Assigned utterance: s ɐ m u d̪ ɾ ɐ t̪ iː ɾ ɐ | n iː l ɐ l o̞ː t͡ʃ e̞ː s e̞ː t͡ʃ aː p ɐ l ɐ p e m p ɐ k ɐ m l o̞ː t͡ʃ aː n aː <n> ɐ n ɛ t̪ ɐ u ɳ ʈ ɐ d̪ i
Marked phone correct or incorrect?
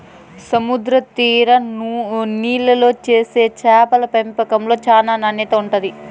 correct